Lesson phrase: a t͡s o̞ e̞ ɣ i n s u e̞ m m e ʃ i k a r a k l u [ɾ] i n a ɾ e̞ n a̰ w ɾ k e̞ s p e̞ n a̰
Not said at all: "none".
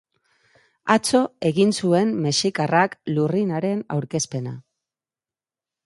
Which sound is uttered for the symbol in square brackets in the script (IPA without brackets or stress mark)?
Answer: r